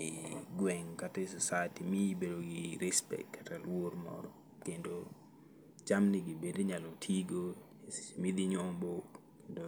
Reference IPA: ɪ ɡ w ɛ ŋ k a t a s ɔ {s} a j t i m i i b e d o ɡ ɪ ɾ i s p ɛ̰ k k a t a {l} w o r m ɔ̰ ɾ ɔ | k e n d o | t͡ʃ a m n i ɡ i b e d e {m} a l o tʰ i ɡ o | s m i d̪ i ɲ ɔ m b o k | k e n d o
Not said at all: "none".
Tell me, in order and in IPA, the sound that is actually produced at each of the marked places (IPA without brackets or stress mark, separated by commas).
s, l, ɲ